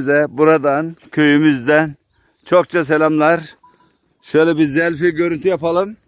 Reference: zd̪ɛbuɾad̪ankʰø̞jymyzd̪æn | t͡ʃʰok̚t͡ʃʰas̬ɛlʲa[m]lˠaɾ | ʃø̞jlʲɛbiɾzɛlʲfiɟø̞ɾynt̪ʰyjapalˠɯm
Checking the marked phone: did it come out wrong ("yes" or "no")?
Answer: no